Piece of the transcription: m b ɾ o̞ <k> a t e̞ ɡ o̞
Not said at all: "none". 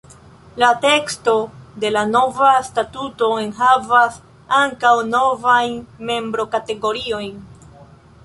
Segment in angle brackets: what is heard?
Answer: k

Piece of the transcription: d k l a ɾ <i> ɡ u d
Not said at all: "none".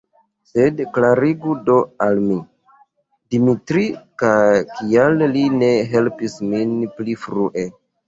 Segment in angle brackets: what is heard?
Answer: i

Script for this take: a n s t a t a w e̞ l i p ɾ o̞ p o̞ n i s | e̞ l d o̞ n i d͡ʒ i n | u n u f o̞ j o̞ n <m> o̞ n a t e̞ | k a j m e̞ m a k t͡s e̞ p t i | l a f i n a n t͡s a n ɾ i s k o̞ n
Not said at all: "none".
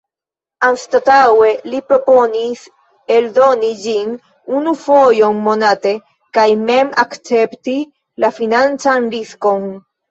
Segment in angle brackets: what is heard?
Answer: m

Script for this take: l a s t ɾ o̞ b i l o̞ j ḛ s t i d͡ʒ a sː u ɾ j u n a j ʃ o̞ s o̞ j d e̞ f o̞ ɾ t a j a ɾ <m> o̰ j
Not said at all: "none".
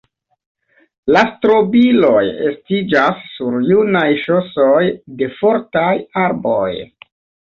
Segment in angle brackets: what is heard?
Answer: b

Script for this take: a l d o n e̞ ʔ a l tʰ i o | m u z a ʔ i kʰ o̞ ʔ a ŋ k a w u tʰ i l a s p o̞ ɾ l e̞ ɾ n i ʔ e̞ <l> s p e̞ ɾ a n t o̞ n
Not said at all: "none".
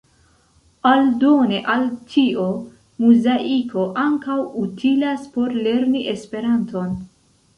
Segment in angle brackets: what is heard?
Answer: none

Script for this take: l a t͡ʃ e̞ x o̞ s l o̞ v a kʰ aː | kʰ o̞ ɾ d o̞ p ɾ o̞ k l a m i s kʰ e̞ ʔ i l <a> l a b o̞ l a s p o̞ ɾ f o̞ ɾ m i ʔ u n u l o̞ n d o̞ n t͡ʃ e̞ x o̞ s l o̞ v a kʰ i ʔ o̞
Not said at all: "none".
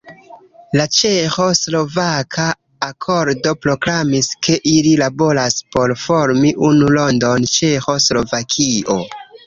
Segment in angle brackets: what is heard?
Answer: i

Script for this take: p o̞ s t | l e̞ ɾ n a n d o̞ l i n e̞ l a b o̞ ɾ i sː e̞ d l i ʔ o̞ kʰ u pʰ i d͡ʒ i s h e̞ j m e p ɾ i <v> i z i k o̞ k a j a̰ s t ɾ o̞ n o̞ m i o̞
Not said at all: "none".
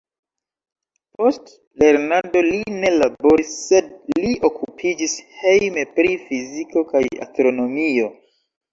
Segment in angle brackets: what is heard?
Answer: f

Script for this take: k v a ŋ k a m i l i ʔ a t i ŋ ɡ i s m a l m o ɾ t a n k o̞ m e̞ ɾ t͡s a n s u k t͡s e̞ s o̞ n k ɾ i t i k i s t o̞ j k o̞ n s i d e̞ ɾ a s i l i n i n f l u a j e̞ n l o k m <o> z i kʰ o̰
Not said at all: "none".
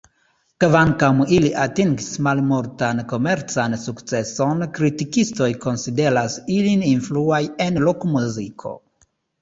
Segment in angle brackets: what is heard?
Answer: u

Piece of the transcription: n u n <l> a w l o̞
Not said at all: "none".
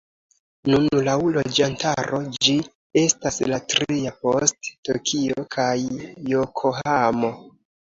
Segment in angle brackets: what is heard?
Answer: l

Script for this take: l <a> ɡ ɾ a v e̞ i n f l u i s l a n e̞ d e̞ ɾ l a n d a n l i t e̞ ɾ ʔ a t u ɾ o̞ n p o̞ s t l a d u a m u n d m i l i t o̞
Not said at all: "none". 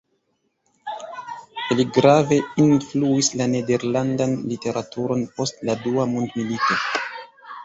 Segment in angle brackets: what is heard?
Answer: i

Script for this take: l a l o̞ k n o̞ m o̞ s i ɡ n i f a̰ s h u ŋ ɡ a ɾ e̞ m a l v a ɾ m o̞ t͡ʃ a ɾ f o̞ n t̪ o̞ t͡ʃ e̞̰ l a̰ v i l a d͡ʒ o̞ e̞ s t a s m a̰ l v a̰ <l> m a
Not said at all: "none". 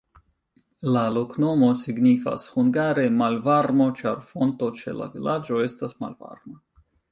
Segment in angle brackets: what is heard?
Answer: ɾ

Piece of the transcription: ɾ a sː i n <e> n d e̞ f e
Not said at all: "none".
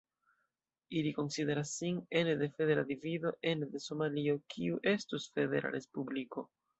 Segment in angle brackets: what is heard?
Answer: e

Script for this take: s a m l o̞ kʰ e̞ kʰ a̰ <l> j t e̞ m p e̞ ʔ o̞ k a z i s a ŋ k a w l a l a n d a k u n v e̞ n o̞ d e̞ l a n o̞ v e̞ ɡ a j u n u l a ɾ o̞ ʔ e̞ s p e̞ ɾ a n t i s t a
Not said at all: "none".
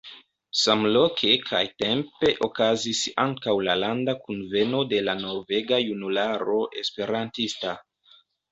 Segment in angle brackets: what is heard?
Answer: none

